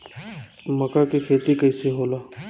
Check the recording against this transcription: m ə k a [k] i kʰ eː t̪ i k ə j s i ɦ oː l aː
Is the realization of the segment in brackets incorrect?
no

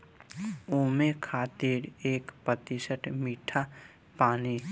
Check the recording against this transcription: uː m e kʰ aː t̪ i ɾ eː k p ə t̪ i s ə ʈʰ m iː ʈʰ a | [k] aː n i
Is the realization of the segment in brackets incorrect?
yes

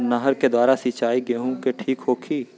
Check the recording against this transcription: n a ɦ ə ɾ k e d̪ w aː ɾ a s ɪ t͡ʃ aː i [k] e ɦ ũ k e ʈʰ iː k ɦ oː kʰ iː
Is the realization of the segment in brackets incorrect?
yes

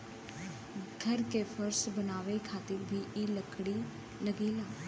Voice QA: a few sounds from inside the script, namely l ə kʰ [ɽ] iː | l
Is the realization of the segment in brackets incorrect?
no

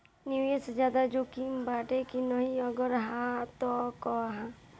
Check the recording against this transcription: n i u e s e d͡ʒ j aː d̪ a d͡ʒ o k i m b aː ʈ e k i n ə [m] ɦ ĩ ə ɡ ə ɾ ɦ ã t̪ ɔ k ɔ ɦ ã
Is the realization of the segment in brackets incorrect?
yes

